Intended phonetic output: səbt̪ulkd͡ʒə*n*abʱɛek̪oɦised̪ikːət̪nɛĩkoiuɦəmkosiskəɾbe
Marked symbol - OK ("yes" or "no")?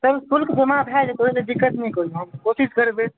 no